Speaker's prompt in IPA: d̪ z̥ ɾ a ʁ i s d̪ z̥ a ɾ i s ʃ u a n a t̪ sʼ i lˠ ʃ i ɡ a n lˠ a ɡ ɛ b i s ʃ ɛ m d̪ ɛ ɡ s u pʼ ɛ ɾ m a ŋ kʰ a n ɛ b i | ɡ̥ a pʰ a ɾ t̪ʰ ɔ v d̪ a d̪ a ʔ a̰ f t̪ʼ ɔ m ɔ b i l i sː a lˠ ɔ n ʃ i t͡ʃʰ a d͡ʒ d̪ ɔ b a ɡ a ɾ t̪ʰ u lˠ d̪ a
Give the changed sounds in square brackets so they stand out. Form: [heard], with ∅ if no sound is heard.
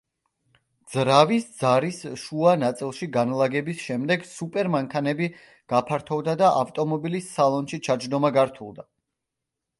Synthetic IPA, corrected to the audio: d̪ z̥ ɾ a [v] i s d̪ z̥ a ɾ i s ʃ u a n a t̪ sʼ i lˠ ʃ i ɡ a n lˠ a ɡ ɛ b i s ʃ ɛ m d̪ ɛ ɡ s u pʼ ɛ ɾ m a ŋ kʰ a n ɛ b i | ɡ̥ a pʰ a ɾ t̪ʰ ɔ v d̪ a d̪ a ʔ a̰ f t̪ʼ ɔ m ɔ b i l i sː a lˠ ɔ n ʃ i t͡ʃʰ a d͡ʒ d̪ ɔ [m] a ɡ a ɾ t̪ʰ u lˠ d̪ a